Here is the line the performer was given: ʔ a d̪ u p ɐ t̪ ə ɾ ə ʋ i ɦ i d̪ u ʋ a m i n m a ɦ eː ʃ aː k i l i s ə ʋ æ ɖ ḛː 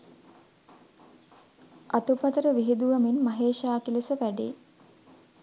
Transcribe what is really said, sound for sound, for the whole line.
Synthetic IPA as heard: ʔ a t̪ u p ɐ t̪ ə ɾ ə ʋ i ɦ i d̪ u ʋ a m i n m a ɦ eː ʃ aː k i l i s ə ʋ æ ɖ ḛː